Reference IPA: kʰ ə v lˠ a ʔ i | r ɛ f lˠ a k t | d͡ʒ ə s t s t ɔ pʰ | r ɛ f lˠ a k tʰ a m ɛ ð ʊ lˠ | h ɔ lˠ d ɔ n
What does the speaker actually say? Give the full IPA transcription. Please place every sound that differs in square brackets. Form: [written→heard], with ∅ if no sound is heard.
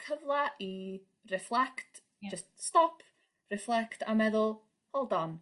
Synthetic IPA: kʰ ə v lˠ a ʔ i | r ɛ f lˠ [a→ɛ] k t | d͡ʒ ə s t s t ɔ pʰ | r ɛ f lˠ [a→ɛ] k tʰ a m ɛ ð ʊ lˠ | h ɔ lˠ d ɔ n